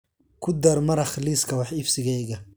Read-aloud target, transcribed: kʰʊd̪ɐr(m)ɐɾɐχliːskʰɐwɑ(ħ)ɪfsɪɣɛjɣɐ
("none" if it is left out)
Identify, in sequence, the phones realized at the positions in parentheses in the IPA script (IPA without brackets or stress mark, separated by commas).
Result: m, ħ